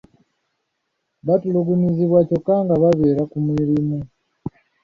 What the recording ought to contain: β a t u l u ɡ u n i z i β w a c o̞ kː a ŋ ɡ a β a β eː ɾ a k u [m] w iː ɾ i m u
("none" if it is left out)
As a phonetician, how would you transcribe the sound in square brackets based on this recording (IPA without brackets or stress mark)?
m